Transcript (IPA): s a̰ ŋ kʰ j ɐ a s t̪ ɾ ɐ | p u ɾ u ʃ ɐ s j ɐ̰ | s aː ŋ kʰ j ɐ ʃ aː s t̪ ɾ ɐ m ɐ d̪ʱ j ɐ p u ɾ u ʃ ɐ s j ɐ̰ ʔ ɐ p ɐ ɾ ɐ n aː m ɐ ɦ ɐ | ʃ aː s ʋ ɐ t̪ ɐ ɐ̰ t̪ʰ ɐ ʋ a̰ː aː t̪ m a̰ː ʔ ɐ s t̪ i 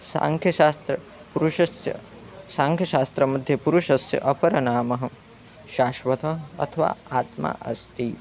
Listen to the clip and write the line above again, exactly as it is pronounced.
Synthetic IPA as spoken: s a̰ ŋ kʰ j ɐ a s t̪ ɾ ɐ | p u ɾ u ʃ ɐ s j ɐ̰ | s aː ŋ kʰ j ɐ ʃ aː s t̪ ɾ ɐ m ɐ d̪ʱ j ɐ p u ɾ u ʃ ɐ s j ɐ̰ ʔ ɐ p ɐ ɾ ɐ n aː m ɐ ɦ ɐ | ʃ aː ʃ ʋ ɐ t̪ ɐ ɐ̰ t̪ʰ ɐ ʋ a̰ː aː t̪ m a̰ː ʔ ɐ s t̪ i